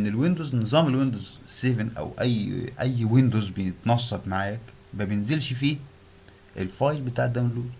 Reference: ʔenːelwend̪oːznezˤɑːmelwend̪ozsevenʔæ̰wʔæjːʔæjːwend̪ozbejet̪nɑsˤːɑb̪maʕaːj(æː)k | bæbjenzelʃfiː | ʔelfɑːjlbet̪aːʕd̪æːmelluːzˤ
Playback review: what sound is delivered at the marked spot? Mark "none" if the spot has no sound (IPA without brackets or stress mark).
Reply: æ